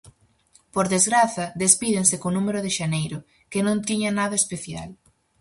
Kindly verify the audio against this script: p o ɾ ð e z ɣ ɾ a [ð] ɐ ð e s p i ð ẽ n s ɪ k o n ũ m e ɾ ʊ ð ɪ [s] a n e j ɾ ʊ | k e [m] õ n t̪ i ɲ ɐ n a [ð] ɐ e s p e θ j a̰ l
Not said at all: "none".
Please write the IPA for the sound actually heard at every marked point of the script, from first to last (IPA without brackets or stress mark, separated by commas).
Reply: θ, ʃ, n, ð